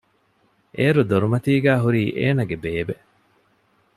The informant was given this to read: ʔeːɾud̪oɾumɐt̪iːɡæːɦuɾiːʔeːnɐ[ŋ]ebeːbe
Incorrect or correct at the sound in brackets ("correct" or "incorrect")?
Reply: incorrect